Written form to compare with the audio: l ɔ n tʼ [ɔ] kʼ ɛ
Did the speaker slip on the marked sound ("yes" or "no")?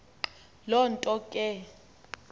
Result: no